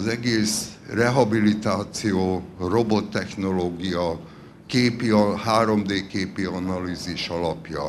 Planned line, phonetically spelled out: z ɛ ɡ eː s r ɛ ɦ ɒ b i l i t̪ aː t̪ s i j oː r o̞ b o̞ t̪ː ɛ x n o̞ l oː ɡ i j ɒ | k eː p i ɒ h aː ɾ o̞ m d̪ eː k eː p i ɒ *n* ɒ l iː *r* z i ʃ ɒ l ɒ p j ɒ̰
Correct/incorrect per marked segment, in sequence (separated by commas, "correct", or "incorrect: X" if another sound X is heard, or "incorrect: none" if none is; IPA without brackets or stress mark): correct, incorrect: none